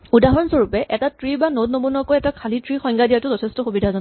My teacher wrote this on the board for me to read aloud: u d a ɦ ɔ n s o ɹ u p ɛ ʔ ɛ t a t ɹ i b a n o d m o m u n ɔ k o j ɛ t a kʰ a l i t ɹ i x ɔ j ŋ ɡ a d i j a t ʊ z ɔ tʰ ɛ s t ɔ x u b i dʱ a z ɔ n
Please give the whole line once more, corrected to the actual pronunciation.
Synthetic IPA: u d a ɦ ɔ n s o ɹ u p ɛ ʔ ɛ t a t ɹ i b a n o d n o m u n ɔ k o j ɛ t a kʰ a l i t ɹ i x ɔ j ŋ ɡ a d i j a t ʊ z ɔ tʰ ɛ s t ɔ x u b i dʱ a z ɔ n